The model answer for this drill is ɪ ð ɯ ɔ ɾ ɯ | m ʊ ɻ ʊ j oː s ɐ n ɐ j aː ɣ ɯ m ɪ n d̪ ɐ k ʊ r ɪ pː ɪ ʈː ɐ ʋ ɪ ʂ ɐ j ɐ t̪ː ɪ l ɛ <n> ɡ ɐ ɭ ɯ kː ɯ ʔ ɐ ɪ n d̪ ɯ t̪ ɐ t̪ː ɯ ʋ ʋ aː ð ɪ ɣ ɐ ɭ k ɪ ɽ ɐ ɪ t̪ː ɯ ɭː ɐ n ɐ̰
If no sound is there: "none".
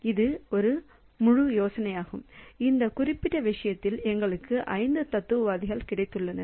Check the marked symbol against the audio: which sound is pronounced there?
ŋ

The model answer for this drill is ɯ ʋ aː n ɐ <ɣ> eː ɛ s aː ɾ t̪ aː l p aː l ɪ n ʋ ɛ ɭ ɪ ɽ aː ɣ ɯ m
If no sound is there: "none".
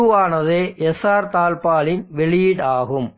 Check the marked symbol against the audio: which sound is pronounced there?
ð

